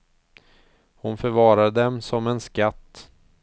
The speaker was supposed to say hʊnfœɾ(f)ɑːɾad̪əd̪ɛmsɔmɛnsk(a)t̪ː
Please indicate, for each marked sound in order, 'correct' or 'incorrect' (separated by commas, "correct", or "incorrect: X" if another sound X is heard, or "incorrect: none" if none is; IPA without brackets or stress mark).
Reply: incorrect: v, correct